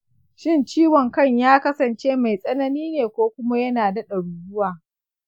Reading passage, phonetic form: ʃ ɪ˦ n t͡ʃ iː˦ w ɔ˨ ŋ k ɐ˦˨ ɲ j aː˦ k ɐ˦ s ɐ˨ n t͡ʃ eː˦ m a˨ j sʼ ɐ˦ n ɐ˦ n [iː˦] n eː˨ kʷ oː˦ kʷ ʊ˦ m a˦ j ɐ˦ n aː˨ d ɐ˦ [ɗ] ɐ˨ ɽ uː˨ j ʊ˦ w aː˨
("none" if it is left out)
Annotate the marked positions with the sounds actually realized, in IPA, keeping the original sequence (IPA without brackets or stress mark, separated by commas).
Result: iː˦, ɗ